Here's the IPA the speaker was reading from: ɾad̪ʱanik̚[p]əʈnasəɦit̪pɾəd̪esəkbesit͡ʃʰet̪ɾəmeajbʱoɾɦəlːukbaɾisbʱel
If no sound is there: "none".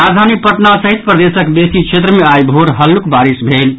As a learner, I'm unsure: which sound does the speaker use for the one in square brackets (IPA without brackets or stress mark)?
p